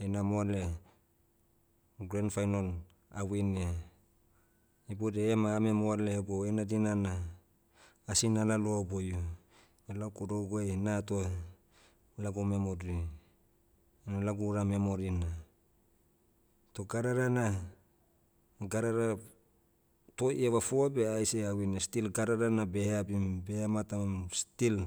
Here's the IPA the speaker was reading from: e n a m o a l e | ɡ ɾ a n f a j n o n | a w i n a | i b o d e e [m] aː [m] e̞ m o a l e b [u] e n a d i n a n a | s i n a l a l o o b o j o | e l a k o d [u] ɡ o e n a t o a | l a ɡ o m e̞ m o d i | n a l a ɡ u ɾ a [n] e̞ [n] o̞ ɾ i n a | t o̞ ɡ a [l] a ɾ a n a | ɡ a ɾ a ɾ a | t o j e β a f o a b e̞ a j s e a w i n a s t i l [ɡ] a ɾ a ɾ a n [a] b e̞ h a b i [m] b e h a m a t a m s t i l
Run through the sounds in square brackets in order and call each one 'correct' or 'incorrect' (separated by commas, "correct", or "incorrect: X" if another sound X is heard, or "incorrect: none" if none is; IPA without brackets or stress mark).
correct, correct, incorrect: o, incorrect: o, incorrect: m, incorrect: m, incorrect: ɾ, correct, correct, correct